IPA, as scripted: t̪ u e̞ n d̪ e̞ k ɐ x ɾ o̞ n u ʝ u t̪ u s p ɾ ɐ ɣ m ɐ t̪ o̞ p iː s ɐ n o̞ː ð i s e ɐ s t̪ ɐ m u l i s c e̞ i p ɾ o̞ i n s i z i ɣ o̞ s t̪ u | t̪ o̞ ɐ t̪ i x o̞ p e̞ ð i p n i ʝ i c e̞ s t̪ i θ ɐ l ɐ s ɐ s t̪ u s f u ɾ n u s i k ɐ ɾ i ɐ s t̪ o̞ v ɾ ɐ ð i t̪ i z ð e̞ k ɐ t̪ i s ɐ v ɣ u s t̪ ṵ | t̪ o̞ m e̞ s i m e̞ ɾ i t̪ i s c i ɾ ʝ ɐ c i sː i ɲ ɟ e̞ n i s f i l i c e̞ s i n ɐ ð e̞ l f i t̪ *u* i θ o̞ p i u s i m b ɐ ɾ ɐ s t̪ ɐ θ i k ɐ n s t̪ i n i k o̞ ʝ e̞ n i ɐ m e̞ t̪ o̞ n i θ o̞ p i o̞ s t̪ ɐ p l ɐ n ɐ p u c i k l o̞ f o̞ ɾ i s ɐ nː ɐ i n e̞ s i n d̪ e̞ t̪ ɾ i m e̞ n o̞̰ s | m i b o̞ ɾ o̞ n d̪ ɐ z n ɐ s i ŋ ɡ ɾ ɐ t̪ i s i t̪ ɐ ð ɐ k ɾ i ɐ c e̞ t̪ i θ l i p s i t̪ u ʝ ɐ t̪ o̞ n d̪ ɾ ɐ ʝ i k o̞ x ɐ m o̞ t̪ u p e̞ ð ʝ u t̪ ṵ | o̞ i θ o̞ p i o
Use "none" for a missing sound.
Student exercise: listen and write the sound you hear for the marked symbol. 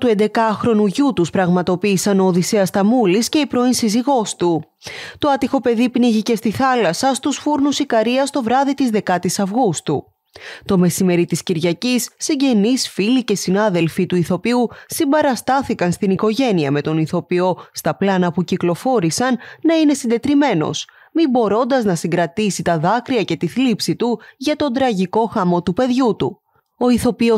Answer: u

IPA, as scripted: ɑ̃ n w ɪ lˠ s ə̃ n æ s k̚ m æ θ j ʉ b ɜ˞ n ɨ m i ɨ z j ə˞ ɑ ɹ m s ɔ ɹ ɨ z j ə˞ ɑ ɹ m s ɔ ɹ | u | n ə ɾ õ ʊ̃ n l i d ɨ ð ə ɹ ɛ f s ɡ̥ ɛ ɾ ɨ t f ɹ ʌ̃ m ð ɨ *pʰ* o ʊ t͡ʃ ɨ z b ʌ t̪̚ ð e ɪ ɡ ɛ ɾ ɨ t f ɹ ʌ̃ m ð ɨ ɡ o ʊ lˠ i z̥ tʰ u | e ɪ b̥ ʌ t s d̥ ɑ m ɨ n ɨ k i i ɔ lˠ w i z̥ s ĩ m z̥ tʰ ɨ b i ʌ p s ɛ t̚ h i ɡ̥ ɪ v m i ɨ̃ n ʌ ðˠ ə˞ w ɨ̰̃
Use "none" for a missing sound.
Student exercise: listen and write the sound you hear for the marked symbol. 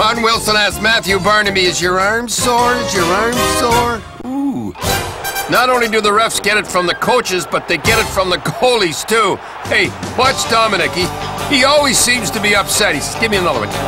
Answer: kʰ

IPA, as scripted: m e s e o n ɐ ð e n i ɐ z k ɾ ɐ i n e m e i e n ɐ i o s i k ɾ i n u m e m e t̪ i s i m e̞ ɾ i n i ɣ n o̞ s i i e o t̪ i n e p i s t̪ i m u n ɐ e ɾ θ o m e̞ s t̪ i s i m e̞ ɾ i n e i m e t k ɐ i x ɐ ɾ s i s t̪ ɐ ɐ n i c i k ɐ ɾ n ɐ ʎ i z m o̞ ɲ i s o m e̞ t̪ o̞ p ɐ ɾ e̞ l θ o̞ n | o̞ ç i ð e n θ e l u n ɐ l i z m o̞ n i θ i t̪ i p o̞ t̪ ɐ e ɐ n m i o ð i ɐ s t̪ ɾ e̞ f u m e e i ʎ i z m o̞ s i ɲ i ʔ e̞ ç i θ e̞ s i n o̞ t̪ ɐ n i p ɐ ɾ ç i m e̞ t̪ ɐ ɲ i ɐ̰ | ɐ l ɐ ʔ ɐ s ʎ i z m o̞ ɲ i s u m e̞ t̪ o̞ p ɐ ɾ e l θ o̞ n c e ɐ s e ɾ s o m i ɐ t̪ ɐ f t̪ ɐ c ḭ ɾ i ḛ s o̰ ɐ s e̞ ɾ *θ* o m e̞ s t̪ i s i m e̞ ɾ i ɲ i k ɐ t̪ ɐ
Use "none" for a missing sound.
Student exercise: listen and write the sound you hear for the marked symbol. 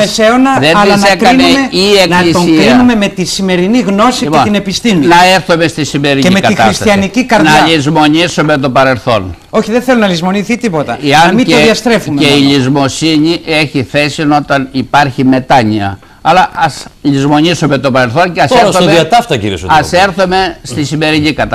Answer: θ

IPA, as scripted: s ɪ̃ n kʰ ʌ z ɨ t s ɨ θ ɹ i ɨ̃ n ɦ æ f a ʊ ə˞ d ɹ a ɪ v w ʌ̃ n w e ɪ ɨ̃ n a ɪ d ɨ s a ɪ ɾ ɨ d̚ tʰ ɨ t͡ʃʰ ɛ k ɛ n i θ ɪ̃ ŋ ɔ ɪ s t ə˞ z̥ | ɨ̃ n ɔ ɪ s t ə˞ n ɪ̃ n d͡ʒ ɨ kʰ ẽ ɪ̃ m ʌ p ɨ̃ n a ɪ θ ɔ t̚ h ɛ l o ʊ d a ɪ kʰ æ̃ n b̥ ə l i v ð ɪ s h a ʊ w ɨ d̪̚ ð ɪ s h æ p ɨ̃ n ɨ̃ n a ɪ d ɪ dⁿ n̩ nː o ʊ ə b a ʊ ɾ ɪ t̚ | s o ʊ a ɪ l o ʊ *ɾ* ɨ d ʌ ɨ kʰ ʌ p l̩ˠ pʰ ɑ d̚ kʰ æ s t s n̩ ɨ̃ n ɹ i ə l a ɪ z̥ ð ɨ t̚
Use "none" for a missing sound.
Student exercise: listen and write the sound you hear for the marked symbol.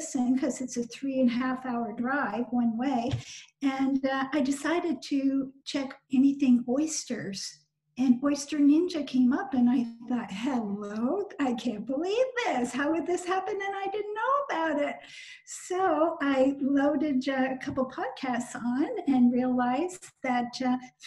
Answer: ɾ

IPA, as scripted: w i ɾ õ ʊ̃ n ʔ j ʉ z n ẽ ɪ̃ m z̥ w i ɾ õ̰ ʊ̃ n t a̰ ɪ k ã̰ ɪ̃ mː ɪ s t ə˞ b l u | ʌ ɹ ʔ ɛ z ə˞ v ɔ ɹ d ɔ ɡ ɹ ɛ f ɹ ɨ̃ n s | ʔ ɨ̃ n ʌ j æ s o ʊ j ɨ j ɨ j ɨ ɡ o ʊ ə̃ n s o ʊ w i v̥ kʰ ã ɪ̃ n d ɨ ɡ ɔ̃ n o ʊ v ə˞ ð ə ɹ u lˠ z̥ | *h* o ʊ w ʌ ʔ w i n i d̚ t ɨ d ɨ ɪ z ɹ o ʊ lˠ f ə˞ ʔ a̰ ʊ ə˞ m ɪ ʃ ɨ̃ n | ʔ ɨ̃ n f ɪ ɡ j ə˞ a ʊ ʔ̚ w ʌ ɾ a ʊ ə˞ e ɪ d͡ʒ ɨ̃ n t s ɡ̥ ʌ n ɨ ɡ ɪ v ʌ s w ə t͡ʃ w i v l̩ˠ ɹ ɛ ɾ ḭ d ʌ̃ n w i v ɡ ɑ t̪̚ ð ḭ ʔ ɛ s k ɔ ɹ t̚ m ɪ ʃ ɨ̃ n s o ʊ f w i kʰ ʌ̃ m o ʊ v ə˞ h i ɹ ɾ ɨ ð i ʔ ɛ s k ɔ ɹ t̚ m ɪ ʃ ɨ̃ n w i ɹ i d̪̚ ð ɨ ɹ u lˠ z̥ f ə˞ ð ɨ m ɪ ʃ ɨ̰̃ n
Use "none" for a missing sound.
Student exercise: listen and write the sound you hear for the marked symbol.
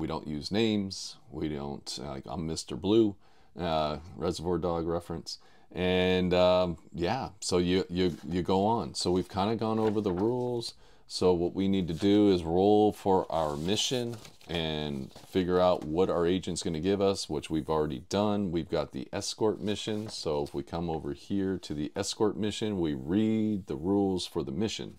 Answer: s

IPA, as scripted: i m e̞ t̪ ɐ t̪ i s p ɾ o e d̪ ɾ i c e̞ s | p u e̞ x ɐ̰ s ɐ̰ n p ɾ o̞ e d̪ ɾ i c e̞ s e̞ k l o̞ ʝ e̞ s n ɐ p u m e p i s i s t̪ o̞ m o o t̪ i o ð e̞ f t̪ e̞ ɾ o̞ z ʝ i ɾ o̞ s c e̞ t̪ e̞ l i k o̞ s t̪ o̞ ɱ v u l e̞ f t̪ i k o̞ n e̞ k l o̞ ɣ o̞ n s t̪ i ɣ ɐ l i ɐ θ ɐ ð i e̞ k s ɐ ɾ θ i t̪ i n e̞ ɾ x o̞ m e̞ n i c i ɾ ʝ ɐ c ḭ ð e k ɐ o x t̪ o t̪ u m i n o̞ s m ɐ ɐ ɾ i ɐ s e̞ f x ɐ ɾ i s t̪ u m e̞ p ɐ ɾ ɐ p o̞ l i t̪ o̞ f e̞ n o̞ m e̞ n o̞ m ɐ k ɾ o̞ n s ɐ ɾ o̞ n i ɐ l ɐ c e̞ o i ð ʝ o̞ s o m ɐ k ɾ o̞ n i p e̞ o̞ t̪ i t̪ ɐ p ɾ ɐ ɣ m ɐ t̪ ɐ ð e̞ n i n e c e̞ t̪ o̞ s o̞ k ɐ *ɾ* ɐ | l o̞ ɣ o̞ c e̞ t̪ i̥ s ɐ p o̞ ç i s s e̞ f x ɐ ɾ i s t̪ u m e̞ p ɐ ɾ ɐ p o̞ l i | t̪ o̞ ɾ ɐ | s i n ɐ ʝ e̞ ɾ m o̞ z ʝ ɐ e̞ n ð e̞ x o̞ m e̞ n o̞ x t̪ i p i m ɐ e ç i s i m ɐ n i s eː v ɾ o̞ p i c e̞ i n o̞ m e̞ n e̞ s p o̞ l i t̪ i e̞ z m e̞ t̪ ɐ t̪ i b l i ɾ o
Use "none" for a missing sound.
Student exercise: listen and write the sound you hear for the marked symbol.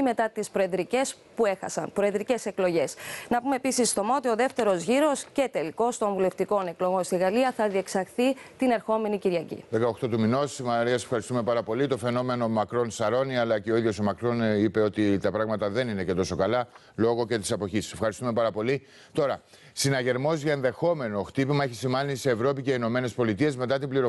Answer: l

